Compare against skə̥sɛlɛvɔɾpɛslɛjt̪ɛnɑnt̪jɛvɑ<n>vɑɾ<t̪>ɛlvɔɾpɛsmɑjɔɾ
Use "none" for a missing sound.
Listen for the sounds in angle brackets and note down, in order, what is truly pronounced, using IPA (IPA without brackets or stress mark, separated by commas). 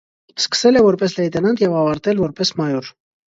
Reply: none, t̪